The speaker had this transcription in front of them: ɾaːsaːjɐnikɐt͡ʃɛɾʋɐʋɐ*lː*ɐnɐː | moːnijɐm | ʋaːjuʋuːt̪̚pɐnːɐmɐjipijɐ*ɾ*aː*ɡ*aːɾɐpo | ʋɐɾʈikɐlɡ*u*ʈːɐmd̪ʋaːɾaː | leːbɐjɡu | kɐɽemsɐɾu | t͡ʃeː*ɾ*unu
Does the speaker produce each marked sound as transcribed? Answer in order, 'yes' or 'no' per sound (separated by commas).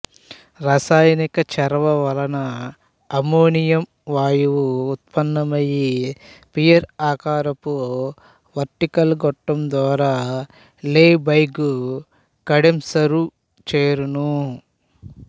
no, yes, no, no, yes